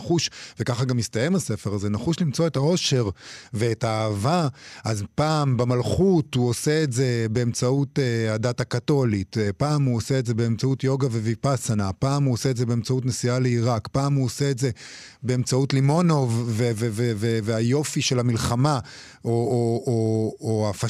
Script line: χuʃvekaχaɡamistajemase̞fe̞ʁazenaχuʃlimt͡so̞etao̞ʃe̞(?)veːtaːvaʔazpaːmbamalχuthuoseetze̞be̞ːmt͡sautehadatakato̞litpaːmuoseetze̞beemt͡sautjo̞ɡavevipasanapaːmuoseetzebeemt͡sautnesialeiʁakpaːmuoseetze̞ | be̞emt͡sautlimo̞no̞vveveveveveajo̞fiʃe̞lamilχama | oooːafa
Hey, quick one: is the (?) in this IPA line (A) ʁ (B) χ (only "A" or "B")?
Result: A